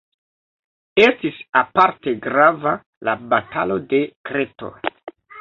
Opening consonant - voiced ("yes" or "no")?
no